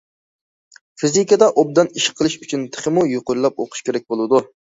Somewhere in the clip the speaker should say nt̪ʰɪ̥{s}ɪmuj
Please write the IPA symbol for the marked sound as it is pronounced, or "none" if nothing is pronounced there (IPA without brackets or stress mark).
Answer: χ